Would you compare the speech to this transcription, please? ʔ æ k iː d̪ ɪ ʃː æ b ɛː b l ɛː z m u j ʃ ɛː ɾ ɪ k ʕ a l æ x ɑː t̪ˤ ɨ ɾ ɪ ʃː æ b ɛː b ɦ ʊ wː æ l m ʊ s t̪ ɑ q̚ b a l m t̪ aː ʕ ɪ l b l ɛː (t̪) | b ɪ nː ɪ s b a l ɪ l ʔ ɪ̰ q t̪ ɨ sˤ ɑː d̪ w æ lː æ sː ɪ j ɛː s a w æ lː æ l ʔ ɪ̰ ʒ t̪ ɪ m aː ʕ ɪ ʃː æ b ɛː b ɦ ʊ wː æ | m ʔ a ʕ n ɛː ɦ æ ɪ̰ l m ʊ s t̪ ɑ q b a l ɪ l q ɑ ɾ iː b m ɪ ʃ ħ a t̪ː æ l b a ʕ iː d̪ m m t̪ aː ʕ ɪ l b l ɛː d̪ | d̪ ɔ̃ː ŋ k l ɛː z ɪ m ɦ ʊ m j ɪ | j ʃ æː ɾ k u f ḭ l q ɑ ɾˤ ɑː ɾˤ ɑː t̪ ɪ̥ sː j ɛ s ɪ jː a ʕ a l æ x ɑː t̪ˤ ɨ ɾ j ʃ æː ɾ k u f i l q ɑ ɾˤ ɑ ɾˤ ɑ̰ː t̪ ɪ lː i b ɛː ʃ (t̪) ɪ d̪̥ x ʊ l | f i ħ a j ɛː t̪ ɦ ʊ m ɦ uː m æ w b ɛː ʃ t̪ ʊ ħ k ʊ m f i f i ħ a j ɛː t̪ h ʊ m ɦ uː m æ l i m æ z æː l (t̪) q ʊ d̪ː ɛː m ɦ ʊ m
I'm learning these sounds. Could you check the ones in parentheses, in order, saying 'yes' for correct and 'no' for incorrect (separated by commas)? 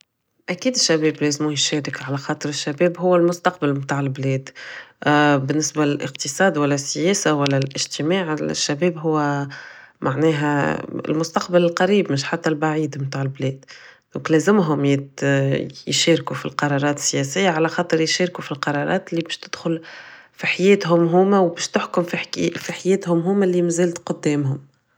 no, yes, yes